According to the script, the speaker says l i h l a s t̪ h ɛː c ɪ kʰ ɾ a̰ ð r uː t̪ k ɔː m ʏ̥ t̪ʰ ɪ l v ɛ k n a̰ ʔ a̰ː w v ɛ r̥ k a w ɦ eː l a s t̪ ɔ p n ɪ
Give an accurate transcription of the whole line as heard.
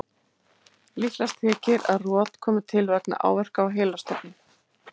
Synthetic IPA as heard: l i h l a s t̪ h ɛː c ɪ ɾ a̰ ð r ɔː t̪ kʰ ɔː m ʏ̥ t̪ʰ ɪ l v ɛ k n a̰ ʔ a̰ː w v ɛ r̥ k a w ɦ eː l a s t̪ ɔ p n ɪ

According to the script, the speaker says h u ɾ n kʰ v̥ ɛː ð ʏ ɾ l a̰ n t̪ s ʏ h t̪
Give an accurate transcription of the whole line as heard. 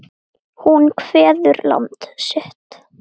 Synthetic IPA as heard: h u n kʰ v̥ ɛː ð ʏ ɾ l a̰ n t̪ s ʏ h t̪

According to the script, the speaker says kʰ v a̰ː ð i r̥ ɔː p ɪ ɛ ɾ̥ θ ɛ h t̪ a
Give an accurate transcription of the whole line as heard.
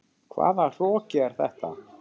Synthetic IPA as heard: kʰ v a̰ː ð a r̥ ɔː c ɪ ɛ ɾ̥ θ ɛ h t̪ a

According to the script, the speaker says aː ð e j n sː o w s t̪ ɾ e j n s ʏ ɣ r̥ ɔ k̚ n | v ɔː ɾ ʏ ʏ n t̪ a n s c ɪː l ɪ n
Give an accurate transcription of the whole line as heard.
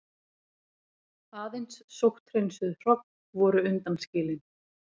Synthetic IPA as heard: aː ð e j n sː o w h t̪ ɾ e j n s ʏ ð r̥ ɔ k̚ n | v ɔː ɾ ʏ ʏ n t̪ a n s c ɪː l ɪ n

